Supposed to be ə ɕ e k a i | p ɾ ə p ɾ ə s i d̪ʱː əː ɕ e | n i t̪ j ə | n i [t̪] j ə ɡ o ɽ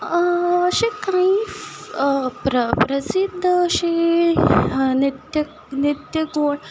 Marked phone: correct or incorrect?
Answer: correct